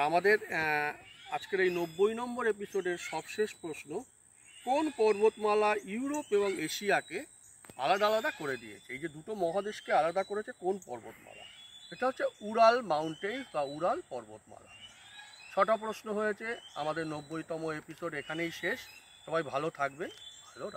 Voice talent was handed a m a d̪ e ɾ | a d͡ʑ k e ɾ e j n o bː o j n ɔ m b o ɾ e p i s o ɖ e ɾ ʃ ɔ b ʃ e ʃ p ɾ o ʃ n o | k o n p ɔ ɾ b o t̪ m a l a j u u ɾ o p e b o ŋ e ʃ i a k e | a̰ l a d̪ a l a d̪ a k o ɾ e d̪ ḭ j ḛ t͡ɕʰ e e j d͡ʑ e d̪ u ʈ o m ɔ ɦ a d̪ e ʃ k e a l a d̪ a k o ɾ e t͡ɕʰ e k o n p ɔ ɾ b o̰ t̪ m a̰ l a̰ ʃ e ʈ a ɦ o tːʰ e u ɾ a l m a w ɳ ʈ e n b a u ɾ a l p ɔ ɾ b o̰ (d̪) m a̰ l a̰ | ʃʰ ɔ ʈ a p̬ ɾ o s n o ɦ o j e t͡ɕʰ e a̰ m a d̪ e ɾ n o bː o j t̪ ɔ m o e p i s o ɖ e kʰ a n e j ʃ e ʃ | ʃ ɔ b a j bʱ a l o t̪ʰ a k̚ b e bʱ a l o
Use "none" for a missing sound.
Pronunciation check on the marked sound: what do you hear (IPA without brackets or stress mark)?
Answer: t̪